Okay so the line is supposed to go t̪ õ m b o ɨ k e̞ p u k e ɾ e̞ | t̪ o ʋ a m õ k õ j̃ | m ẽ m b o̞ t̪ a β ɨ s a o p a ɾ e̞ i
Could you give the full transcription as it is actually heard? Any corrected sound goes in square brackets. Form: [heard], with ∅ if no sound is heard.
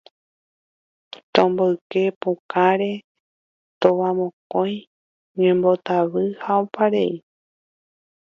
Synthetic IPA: t̪ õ m b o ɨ k e̞ p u k [a] ɾ e̞ | t̪ o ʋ a m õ k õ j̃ | [ɲ] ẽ m b o̞ t̪ a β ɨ [h] a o p a ɾ e̞ i